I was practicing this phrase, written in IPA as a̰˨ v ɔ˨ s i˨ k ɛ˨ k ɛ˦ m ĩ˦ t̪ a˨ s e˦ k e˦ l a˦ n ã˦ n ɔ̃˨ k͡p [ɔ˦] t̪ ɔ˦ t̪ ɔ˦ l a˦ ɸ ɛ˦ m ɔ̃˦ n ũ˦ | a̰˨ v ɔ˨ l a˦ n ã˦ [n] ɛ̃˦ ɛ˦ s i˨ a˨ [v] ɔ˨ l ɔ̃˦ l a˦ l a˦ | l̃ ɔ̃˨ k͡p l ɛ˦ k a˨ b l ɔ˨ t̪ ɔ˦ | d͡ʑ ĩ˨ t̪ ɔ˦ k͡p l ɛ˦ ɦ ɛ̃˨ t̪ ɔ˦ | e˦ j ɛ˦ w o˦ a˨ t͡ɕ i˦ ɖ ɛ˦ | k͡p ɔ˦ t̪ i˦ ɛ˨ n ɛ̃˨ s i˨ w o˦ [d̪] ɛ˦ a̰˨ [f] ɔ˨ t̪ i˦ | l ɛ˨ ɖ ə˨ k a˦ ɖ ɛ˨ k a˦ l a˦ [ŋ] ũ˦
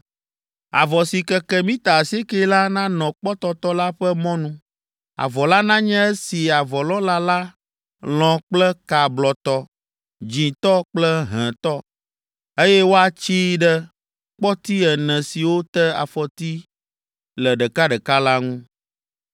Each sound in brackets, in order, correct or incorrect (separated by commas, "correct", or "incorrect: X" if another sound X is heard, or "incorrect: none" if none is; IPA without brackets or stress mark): correct, incorrect: ɲ, correct, incorrect: t̪, correct, correct